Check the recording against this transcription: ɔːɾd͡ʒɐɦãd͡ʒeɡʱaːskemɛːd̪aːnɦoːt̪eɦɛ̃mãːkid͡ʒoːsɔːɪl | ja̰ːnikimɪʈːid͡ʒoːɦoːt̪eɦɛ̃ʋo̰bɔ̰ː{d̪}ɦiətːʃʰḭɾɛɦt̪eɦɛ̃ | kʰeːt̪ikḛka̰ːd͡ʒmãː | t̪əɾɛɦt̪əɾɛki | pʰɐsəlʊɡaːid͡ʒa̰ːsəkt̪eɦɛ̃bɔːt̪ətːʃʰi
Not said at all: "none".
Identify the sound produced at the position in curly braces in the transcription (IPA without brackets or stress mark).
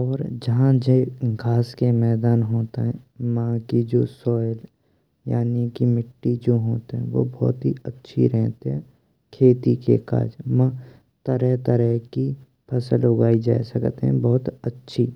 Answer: t̪